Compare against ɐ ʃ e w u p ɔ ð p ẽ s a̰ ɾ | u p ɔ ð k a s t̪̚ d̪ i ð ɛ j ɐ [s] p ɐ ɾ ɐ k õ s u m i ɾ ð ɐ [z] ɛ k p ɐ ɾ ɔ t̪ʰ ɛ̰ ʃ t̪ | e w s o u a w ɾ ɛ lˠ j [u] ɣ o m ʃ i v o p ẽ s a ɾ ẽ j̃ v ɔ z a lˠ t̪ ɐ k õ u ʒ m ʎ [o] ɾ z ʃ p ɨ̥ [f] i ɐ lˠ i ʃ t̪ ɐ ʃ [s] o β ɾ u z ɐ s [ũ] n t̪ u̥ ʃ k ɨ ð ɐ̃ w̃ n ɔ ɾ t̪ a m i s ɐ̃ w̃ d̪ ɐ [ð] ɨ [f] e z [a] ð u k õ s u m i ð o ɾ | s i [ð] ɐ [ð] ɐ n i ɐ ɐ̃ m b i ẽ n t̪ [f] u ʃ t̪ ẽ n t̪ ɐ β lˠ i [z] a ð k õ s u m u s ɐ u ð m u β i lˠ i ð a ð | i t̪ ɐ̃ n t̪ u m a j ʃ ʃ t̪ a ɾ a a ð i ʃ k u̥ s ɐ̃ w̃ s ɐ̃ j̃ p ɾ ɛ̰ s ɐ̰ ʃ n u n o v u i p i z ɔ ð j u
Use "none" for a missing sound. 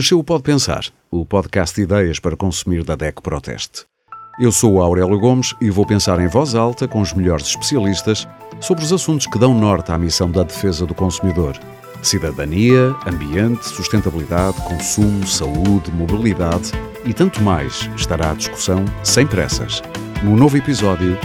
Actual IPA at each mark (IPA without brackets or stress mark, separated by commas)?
ʃ, ð, u, ɔ, s, s, ũ, ð, f, ɐ, ð, ð, s, ð